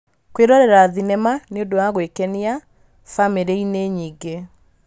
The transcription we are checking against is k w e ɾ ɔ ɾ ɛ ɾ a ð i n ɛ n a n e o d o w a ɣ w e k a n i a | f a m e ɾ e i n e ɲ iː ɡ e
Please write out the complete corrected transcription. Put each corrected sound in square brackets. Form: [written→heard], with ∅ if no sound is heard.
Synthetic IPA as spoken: k w e ɾ ɔ ɾ ɛ ɾ a ð i n ɛ [n→m] a n e o d o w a ɣ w e k [a→ɛ] n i a | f a m e ɾ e i n e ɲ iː ɡ e